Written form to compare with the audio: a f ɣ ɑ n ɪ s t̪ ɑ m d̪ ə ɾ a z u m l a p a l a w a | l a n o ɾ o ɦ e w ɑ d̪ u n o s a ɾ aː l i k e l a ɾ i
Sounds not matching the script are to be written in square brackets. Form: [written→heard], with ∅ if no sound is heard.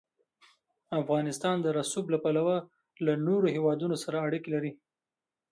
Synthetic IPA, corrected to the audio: a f ɣ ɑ n ɪ s t̪ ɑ [m→n] d̪ ə ɾ a [z→s] u [m→b] l a p a l a w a | l a n o ɾ o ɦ e w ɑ d̪ u n o s a ɾ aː [l→ɽ] i k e l a ɾ i